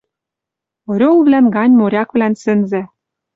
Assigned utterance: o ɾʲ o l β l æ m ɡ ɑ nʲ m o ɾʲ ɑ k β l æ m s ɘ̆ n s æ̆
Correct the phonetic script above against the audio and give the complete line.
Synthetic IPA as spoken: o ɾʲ o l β l æ n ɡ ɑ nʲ m o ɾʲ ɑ k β l æ n s ɘ̆ n z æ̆